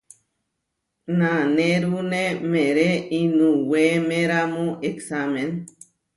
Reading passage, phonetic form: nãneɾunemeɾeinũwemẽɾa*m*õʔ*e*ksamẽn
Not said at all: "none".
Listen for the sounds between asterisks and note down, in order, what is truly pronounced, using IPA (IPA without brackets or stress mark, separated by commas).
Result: m, e